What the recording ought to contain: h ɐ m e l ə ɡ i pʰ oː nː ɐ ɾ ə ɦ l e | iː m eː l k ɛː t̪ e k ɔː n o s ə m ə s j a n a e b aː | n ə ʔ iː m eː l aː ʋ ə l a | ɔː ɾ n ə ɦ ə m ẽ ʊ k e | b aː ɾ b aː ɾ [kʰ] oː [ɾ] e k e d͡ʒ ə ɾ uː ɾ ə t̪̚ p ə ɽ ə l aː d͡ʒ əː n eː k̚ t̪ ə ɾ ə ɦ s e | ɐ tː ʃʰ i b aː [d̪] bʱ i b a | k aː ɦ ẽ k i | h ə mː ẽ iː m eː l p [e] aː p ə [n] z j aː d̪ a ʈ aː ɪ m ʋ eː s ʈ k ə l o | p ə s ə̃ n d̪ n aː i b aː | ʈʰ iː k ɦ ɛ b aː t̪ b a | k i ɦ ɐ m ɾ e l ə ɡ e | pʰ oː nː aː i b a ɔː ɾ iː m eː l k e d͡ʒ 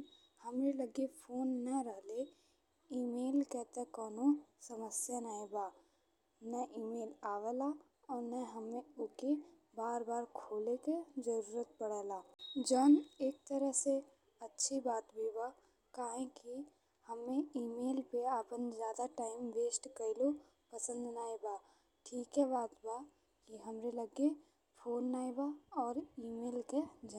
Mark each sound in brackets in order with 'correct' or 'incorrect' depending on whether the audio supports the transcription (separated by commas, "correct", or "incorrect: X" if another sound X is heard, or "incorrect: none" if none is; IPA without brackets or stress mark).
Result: correct, incorrect: l, incorrect: t̪, correct, correct